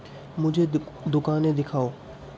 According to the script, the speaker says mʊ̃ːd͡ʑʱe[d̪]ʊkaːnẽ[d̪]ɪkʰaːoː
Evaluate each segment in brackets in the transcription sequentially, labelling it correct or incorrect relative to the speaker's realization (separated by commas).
correct, correct